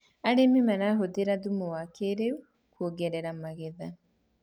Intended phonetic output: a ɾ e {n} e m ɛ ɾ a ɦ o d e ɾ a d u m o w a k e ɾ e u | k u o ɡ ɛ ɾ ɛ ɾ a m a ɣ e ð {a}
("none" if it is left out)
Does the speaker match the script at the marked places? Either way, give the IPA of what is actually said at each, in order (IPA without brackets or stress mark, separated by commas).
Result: m, a